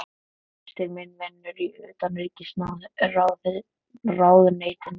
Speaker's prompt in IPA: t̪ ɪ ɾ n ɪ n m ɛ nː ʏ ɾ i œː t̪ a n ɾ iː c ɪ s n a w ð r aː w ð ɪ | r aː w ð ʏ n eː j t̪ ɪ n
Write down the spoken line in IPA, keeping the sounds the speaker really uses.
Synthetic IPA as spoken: t̪ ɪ ɾ m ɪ n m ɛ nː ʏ ɾ i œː t̪ a n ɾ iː c ɪ s n a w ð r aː w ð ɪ | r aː w ð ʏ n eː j t̪ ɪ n